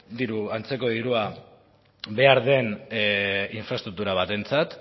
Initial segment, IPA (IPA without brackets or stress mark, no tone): d̪